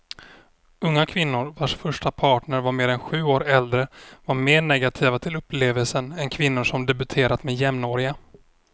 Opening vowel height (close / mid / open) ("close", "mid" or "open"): mid